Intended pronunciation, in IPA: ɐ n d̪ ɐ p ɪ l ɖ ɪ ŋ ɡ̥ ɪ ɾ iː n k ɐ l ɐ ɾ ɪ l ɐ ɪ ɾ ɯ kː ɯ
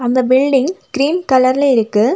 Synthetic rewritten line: ɐ n d̪ ɐ b ɪ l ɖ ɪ ŋ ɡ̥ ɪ ɾ iː n k ɐ l ɐ ɾ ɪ l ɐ ɪ ɾ ɯ kː ɯ